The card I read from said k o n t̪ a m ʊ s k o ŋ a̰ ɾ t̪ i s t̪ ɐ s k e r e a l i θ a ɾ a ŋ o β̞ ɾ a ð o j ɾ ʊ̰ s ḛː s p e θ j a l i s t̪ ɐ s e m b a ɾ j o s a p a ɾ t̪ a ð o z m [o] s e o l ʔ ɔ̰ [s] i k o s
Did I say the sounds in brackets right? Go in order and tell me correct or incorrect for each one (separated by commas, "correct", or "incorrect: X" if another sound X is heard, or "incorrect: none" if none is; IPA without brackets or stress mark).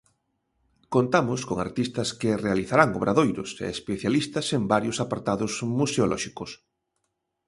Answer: incorrect: u, incorrect: ʃ